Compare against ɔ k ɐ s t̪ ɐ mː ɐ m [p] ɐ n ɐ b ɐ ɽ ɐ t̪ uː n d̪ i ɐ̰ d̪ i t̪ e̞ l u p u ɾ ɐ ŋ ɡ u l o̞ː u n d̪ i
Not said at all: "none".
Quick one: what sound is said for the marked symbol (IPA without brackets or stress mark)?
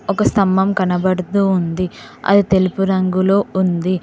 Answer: k